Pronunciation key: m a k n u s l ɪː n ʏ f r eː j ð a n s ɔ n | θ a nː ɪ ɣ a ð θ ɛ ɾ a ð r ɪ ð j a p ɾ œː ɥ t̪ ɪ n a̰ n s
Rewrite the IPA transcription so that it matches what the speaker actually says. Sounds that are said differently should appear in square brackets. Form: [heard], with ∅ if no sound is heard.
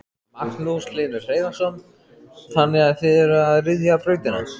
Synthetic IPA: m a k n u s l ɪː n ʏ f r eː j ð a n s ɔ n | θ a nː ɪ ɣ a ð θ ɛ ɾ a ð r ɪ ð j a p ɾ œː ɥ t̪ ɪ n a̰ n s